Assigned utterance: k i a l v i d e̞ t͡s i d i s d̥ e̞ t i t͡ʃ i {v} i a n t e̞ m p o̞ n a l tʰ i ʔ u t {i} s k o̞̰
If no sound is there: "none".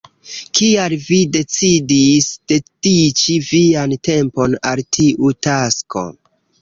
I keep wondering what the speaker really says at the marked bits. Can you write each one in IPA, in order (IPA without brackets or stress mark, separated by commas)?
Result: v, a